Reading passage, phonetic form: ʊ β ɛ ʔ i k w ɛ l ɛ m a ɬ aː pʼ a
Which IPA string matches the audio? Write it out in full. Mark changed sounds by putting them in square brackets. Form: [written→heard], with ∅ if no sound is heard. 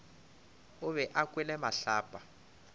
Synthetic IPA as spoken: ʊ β ɛ ʔ [i→a] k w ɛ l ɛ m a ɬ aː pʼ a